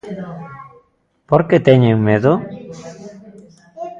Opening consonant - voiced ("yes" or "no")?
no